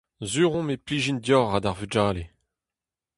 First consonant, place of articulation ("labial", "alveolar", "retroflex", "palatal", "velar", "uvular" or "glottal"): alveolar